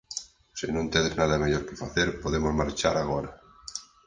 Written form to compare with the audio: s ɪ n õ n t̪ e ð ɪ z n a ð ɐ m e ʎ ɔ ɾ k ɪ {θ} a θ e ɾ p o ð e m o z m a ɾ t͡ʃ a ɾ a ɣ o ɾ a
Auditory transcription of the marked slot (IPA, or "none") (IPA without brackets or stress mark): f